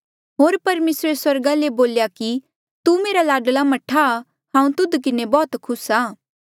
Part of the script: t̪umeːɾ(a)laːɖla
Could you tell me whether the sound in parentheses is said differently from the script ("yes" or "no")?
no